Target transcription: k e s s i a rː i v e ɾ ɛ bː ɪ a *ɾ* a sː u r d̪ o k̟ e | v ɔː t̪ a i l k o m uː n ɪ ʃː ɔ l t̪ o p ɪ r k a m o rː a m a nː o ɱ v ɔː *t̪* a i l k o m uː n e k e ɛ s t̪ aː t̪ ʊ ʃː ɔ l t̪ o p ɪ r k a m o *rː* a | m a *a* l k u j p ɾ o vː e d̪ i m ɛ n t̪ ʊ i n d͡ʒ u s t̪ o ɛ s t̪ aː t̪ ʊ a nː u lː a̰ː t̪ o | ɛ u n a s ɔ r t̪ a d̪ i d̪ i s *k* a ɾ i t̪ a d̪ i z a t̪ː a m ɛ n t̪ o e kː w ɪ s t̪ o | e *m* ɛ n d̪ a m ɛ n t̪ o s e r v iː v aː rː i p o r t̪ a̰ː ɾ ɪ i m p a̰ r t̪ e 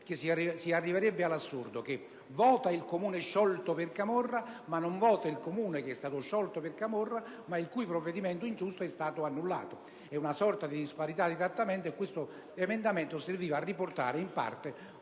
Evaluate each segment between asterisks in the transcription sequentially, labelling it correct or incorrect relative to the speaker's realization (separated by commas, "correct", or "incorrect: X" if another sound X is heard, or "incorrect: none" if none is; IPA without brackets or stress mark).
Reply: incorrect: l, correct, correct, incorrect: i, incorrect: p, correct